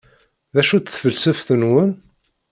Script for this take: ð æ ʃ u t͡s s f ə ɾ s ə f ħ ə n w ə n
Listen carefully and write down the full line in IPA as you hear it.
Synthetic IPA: ð æ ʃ u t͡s θ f ə l s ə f θ ə n w ə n